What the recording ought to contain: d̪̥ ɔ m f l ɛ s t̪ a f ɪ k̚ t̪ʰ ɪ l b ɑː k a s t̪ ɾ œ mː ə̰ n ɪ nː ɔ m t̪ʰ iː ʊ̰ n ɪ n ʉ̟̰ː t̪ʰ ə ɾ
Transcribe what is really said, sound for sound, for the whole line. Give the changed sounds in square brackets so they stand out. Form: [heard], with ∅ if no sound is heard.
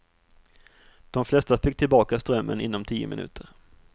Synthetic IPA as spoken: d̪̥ ɔ m f l ɛ s t̪ a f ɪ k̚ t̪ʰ ɪ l b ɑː k a s t̪ ɾ œ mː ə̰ n ɪ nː ɔ m t̪ʰ iː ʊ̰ [m] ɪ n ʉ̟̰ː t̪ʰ ə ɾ